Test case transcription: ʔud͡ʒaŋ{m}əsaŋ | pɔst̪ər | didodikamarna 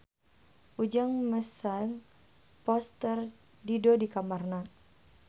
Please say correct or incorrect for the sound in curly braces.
correct